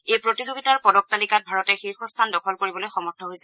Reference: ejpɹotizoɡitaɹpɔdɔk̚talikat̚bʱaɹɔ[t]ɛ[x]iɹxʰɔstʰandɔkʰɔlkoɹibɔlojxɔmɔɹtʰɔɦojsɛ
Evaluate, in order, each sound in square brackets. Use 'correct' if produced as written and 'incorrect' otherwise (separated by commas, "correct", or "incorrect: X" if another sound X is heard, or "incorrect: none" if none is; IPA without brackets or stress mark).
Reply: correct, correct